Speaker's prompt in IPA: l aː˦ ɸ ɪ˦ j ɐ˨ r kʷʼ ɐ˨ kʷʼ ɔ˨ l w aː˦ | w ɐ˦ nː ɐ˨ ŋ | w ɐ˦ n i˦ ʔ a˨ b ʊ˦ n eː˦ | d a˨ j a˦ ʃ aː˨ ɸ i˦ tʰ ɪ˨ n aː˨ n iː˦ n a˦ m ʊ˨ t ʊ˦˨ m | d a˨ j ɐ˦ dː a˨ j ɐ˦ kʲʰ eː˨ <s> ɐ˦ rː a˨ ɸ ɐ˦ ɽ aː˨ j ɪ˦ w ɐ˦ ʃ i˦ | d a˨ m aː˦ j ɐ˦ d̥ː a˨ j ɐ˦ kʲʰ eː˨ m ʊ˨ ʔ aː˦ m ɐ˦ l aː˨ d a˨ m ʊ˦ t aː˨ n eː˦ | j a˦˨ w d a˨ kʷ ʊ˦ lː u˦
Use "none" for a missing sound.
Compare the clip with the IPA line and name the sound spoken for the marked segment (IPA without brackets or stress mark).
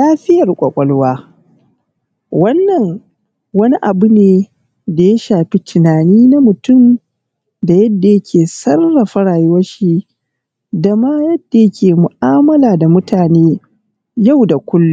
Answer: s